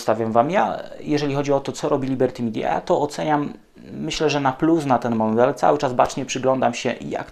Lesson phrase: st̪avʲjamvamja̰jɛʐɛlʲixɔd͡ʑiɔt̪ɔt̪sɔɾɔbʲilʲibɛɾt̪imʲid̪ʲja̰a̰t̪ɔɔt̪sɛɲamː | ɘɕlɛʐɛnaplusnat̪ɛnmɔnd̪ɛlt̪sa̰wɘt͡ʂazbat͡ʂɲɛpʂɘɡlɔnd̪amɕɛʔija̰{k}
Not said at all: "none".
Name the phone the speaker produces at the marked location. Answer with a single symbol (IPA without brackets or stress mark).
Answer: k